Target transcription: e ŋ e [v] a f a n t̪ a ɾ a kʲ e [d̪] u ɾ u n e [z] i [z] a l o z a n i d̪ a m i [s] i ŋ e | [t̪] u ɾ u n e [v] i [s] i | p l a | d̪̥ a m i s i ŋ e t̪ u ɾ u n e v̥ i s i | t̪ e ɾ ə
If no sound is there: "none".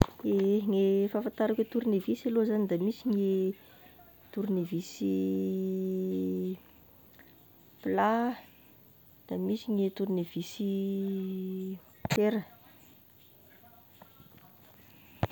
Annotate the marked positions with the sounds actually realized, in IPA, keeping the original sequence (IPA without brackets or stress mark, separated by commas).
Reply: f, t̪, v, s, s, t̪, v, s